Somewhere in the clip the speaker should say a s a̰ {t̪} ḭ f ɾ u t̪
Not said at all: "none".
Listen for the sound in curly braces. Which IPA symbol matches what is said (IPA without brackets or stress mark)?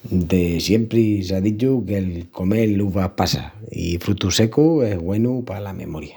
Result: none